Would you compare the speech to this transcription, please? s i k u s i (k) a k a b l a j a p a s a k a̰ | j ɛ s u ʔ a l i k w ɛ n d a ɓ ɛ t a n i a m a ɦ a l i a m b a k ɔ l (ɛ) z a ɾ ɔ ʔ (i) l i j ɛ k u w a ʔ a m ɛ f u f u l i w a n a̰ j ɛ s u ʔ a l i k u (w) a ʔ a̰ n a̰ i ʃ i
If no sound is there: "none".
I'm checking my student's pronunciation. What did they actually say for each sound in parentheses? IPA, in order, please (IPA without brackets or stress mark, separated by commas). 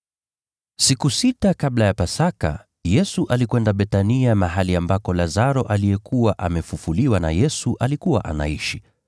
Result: t, a, a, w